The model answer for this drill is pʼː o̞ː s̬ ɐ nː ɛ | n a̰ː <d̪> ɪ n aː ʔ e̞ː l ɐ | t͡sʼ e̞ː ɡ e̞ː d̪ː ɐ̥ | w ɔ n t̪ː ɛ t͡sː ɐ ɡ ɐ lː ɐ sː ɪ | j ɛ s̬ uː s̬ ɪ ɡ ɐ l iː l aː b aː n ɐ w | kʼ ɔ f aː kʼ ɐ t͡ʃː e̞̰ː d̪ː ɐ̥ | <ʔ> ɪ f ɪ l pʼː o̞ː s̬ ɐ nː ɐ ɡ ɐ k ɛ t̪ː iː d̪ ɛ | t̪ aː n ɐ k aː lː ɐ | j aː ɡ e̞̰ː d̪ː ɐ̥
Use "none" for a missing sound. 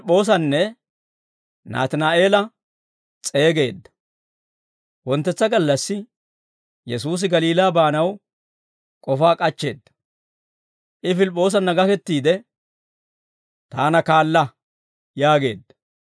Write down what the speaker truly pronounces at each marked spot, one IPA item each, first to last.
t̪, ʔ

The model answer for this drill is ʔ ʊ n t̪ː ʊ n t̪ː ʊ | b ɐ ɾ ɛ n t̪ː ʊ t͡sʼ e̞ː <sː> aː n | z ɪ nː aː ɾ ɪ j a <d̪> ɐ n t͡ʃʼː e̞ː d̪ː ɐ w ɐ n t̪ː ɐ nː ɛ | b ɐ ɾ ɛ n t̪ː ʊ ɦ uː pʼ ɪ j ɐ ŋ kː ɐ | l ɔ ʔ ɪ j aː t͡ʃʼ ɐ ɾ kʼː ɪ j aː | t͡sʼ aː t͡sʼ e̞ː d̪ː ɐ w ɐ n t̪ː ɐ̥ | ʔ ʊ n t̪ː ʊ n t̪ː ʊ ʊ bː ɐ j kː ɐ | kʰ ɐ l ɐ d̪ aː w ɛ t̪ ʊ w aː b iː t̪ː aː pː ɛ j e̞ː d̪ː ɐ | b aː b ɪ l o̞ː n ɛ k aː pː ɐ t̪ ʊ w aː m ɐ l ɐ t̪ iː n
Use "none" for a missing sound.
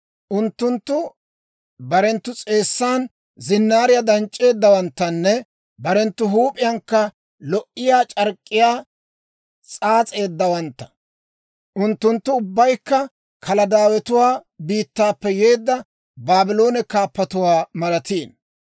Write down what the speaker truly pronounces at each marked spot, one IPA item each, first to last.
sː, d̪

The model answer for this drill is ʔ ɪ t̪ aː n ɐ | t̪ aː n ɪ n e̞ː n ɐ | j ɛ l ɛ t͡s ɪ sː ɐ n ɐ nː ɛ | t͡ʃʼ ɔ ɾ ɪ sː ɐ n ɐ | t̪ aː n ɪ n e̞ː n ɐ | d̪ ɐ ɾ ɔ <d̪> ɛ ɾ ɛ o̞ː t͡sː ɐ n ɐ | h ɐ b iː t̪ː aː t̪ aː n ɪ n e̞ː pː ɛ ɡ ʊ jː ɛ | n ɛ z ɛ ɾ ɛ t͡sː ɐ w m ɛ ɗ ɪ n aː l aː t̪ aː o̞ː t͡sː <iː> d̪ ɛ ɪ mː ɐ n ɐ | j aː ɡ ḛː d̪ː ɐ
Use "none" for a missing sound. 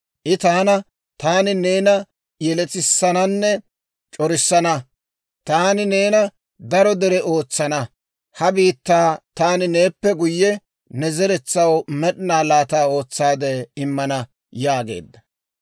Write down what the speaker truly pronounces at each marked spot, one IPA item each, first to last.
d̪, aː

